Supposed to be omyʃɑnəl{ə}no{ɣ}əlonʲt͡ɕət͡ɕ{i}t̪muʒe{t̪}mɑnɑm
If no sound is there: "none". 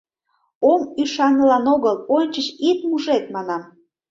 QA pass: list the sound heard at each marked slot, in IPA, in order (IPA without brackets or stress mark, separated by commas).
ɑ, ɣ, i, t̪